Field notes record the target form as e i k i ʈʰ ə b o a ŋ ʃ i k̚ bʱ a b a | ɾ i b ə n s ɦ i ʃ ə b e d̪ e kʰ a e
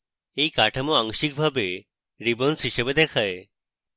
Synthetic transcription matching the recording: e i k a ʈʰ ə m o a ŋ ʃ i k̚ bʱ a b e | ɾ i b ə n s ɦ i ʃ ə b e d̪ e kʰ a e